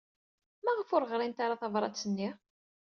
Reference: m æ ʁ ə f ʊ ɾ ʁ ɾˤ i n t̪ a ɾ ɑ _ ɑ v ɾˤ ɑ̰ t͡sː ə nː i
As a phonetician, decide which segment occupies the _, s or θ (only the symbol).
θ